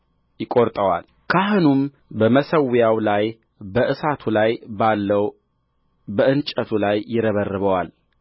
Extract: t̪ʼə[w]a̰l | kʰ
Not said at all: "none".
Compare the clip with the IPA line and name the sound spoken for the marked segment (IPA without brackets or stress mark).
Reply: w